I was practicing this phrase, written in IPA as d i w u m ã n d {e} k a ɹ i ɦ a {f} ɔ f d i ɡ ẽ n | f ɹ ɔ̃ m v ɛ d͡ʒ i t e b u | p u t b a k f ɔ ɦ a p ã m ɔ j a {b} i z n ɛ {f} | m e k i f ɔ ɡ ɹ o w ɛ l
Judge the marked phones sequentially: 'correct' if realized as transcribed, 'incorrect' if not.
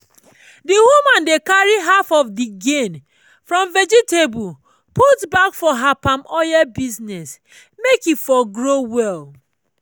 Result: correct, correct, correct, incorrect

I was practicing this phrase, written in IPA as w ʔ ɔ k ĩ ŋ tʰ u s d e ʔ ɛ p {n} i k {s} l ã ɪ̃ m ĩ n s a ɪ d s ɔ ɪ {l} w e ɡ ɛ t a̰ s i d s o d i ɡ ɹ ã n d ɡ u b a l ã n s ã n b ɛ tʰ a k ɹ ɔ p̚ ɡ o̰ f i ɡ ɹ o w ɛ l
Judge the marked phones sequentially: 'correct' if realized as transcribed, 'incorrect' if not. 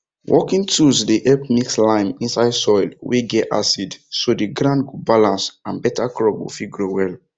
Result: incorrect, correct, correct

